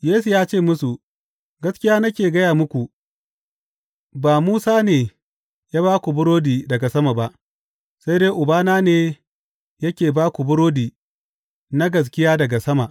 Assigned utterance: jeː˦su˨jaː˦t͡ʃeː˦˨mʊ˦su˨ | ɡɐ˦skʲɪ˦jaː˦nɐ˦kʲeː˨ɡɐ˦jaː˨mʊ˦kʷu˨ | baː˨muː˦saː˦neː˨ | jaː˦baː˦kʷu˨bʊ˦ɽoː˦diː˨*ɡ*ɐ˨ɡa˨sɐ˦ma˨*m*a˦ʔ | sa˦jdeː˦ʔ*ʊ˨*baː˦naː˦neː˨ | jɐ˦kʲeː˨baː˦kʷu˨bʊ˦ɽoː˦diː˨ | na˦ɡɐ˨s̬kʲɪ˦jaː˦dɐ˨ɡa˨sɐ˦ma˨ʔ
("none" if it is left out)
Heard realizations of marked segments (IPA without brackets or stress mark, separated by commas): d, b, ʊ˨